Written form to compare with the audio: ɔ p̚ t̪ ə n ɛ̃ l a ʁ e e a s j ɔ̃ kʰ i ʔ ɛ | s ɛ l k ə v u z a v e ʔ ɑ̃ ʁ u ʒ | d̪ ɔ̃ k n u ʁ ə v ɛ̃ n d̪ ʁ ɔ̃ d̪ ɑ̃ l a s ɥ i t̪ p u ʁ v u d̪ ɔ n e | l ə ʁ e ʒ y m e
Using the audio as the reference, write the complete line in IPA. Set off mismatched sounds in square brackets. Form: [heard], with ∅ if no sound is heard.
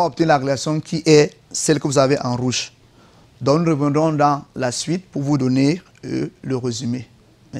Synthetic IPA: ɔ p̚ t̪ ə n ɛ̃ l a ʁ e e a s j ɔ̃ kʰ i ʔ ɛ | s ɛ l k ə v u z a v e ʔ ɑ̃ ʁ u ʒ | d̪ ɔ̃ k n u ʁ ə v ɛ̃ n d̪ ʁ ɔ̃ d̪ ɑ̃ l a s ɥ i t̪ p u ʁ v u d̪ ɔ n e | l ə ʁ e [z] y m e